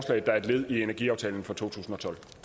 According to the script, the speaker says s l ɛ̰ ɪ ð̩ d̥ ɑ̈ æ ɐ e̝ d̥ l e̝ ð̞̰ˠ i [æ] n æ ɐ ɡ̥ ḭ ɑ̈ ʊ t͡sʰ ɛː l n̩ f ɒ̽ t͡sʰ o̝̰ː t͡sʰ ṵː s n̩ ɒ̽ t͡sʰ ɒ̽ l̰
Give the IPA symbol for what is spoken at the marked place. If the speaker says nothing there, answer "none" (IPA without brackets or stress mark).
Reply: e